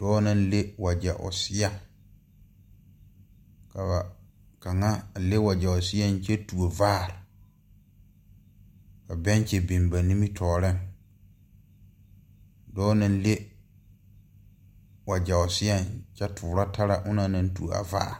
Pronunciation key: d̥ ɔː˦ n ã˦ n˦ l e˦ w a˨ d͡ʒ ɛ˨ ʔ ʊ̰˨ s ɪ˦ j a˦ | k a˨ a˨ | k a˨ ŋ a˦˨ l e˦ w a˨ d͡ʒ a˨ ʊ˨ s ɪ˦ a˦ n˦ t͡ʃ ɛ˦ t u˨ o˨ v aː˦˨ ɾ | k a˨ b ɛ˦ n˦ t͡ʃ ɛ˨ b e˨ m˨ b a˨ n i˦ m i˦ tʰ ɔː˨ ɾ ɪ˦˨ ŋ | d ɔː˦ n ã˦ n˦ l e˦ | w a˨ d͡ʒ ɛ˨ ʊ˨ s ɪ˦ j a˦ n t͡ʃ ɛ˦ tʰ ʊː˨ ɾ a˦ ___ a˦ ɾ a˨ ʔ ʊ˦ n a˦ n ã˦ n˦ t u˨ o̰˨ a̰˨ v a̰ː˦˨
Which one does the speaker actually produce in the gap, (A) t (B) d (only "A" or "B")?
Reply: A